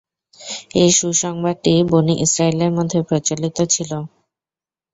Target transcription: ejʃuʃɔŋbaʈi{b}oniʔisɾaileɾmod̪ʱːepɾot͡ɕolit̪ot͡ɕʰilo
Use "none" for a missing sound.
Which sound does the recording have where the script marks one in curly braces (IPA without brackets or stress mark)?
b